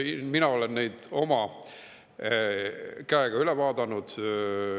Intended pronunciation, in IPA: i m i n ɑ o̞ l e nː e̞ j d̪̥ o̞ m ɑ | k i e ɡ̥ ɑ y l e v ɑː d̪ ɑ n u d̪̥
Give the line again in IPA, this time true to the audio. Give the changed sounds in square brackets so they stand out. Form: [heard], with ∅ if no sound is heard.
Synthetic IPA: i m i n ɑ o̞ l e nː e̞ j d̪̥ o̞ m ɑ | k [æ] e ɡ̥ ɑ y l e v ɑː d̪ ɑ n u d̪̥